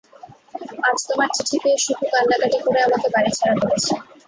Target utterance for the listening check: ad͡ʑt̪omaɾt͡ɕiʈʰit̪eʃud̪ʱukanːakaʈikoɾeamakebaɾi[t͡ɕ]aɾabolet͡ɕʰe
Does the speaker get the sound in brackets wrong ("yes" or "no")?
yes